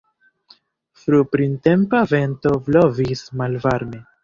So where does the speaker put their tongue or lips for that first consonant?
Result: lips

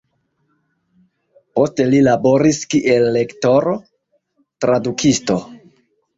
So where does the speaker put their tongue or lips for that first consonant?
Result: lips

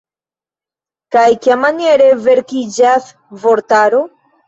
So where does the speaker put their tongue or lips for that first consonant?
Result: velum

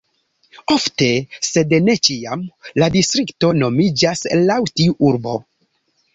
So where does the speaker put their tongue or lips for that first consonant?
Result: lips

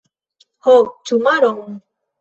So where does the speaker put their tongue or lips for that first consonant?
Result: throat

